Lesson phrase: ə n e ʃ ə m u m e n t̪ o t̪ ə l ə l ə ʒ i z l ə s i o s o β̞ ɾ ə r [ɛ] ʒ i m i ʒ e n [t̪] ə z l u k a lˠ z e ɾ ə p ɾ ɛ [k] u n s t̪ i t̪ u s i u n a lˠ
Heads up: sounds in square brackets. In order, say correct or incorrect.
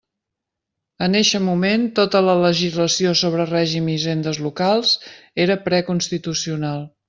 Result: correct, incorrect: d̪, correct

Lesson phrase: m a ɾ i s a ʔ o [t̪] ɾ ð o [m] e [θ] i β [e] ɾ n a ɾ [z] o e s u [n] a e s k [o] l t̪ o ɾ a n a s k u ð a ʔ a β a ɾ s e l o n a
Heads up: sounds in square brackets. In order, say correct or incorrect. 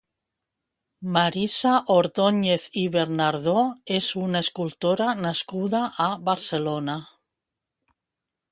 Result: incorrect: none, incorrect: ɲ, correct, correct, incorrect: ð, correct, incorrect: u

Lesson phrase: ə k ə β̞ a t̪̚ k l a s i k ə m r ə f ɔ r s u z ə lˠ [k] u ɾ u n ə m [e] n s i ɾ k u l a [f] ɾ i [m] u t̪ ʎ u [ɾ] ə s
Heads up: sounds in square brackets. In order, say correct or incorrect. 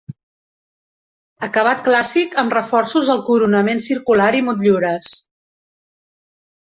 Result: correct, correct, incorrect: none, correct, correct

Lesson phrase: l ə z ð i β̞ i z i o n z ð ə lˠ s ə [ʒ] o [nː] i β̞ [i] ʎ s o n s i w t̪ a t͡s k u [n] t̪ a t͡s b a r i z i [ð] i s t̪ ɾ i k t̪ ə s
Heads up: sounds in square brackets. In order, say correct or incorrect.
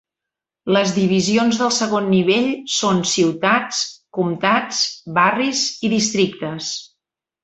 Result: incorrect: ɣ, correct, incorrect: e, incorrect: m, correct

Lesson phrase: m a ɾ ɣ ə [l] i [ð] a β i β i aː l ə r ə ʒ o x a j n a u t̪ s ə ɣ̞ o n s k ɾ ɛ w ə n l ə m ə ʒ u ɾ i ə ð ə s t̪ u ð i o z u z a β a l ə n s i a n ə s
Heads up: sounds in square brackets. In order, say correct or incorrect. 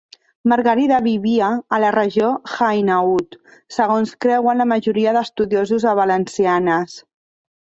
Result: incorrect: ɾ, correct

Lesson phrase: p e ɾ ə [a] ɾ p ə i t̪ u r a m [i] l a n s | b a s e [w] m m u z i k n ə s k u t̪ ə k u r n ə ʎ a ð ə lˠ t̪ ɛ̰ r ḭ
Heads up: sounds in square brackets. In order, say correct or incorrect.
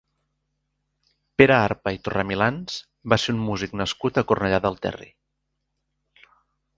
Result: correct, correct, incorrect: u

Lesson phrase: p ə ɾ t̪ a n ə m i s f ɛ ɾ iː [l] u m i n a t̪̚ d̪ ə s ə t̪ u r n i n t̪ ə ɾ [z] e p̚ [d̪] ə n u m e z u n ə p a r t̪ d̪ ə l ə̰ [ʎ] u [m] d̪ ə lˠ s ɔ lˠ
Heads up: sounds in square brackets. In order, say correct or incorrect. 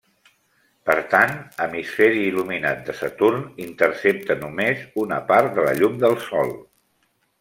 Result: correct, incorrect: s, incorrect: t̪, correct, correct

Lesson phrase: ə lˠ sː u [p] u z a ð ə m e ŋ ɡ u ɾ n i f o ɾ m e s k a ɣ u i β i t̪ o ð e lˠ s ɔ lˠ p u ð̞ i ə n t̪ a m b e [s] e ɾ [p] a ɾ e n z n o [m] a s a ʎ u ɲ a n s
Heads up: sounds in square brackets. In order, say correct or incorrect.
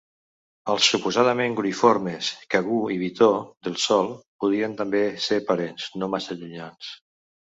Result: correct, correct, correct, correct

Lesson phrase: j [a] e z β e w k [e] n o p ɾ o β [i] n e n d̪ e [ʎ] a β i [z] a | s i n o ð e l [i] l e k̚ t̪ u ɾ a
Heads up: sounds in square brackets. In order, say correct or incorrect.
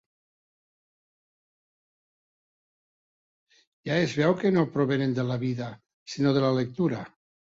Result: correct, correct, incorrect: e, incorrect: l, incorrect: ð, incorrect: a

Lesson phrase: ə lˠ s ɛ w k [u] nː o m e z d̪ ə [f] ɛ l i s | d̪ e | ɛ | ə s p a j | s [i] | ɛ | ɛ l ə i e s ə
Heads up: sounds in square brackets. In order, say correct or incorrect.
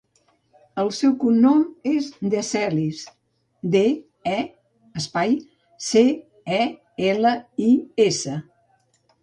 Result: correct, incorrect: s, incorrect: e

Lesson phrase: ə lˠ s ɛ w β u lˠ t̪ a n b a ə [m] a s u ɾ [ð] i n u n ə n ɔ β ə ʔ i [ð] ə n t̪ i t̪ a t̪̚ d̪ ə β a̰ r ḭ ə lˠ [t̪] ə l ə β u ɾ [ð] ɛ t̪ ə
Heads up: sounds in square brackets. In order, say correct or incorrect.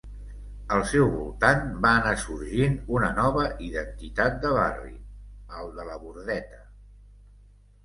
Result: incorrect: n, incorrect: ʒ, correct, incorrect: d̪, correct

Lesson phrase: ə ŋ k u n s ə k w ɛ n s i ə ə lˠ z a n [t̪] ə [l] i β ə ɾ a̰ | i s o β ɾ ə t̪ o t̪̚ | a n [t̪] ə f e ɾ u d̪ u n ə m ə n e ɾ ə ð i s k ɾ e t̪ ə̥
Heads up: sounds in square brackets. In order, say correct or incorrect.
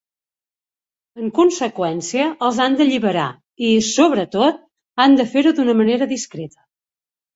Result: incorrect: d̪, incorrect: ʎ, incorrect: d̪

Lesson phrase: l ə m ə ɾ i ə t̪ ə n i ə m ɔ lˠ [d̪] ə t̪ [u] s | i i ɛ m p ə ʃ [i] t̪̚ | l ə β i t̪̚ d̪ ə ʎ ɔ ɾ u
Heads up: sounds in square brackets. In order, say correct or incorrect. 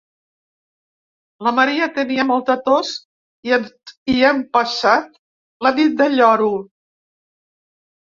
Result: incorrect: t̪, incorrect: o, incorrect: a

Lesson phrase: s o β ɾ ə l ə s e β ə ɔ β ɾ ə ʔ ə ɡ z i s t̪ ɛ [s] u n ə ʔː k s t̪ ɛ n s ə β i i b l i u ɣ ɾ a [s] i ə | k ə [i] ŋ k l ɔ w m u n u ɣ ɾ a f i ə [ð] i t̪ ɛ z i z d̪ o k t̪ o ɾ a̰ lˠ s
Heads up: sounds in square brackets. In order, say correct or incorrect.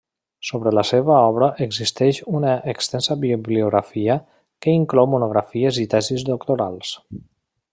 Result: incorrect: ʃ, incorrect: f, correct, incorrect: z

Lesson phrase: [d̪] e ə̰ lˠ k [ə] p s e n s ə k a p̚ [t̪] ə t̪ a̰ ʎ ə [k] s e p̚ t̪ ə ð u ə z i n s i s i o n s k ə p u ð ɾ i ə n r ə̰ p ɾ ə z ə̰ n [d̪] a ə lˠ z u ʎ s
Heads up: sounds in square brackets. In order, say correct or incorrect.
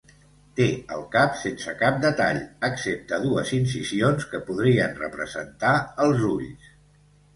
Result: incorrect: t̪, incorrect: a, incorrect: d̪, correct, incorrect: t̪

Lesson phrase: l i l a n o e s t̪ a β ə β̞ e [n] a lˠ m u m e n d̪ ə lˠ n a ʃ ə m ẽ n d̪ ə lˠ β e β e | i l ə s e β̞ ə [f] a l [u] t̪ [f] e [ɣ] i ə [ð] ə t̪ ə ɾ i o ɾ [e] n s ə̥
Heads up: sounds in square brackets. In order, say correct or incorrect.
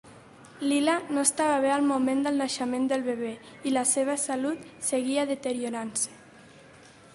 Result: incorrect: none, incorrect: s, correct, incorrect: s, correct, correct, incorrect: a

